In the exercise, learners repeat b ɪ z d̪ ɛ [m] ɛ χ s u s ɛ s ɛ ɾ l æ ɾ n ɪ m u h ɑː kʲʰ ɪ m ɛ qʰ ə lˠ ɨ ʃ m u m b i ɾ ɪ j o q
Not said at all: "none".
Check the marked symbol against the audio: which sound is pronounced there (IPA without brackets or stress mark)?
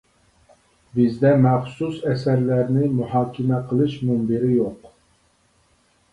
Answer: m